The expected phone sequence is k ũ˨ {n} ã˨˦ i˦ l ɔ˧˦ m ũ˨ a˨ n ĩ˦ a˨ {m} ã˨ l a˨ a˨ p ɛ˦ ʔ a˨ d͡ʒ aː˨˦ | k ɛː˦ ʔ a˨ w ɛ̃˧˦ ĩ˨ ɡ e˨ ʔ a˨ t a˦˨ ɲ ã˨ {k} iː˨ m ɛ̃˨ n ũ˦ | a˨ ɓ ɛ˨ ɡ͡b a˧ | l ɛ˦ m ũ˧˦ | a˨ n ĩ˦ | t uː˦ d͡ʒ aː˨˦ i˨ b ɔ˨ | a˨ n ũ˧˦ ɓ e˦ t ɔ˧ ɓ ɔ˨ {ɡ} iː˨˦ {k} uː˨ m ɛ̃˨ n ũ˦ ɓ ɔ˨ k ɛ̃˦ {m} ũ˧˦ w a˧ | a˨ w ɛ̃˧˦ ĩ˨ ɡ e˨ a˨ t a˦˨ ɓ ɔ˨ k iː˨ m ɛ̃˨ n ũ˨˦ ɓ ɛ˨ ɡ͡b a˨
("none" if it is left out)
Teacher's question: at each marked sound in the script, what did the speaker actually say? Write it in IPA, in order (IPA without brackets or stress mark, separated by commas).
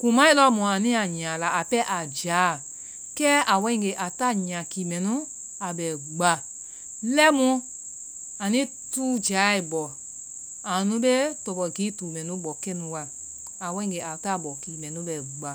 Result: m, ɲ, k, ɡ, t, n